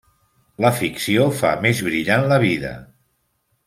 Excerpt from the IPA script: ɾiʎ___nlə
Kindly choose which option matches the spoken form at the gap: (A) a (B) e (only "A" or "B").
A